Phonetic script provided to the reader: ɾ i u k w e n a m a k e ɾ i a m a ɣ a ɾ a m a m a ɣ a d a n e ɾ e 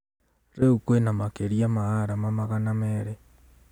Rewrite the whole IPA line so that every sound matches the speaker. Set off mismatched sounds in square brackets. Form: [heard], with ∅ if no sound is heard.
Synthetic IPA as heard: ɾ [e] u k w e n a m a k e ɾ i a m a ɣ a ɾ a m a m a ɣ a [n] a [m] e ɾ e